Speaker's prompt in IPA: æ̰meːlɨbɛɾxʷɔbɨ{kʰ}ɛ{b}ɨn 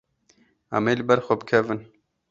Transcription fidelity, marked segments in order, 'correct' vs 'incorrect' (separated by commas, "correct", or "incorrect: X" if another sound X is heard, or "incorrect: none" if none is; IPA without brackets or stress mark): correct, incorrect: v